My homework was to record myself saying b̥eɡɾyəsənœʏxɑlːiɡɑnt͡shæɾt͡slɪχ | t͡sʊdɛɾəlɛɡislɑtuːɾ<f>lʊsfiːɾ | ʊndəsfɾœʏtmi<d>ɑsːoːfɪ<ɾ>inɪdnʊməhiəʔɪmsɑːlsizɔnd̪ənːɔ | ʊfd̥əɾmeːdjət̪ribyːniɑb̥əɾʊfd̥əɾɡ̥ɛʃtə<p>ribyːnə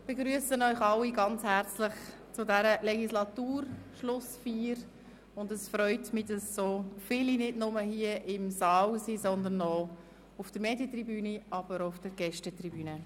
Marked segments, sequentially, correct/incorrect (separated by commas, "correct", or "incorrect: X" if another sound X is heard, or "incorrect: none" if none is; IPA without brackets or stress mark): incorrect: ʃ, correct, incorrect: l, incorrect: t